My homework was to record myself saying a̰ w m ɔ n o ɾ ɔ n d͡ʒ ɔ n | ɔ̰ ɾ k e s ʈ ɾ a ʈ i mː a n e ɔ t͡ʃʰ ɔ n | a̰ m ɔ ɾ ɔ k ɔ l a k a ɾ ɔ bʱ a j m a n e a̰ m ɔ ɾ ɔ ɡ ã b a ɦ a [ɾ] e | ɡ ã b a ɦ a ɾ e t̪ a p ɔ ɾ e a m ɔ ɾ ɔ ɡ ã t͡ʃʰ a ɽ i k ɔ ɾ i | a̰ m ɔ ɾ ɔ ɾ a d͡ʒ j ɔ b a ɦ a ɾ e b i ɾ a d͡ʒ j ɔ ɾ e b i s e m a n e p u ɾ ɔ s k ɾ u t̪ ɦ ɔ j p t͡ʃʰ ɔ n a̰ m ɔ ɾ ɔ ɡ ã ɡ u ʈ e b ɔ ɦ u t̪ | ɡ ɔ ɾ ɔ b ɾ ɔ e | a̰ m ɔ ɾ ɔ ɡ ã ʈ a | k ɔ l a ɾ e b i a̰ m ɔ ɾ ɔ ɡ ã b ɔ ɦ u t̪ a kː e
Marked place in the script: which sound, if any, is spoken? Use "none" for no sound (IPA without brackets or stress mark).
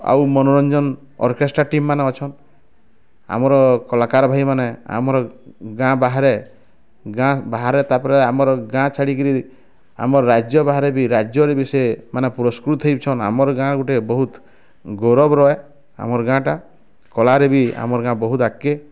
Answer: ɾ